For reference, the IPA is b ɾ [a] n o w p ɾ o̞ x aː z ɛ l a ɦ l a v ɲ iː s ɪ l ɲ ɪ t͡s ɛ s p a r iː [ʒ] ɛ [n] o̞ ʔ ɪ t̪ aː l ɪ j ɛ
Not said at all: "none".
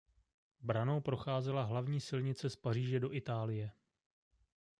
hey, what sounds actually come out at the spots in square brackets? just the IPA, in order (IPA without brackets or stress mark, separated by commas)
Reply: a, ʒ, d